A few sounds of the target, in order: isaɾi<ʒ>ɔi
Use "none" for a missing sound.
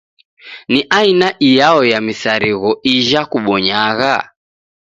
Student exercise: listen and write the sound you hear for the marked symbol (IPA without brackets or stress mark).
ɣ